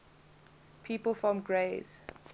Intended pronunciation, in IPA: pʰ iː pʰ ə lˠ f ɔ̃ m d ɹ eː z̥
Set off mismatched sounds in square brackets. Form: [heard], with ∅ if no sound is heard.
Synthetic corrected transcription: pʰ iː [p] ə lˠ f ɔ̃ m [ɡ] ɹ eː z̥